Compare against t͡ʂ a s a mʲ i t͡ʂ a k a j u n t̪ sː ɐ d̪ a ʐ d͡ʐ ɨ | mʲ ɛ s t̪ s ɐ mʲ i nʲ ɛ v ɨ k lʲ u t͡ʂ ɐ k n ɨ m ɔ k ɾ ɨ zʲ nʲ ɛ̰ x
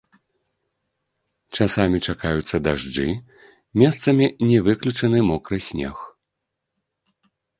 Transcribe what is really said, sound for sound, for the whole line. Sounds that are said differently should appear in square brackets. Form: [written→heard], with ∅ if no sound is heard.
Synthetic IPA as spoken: t͡ʂ a s a mʲ i t͡ʂ a k a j u [n→∅] t̪ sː ɐ d̪ a ʐ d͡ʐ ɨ | mʲ ɛ s t̪ s ɐ mʲ i nʲ ɛ v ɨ k lʲ u t͡ʂ ɐ [k→∅] n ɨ m ɔ k ɾ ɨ [zʲ→sʲ] nʲ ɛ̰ x